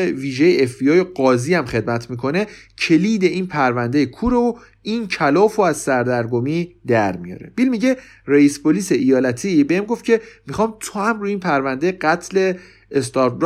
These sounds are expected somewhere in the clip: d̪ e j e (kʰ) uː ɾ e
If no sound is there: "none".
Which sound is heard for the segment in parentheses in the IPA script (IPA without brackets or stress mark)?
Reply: kʰ